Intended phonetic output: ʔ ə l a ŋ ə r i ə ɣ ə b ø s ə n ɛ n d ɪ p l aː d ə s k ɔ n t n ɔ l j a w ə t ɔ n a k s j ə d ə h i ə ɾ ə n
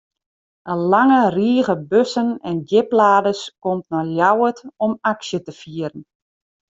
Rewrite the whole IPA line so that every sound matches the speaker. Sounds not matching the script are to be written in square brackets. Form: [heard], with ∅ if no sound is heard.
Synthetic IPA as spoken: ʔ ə l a ŋ ə r i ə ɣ ə b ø s ə n ɛ n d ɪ p l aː d ə s k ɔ [m] t n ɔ l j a w ə t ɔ [m] a k s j ə [t] ə [f] i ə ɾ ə n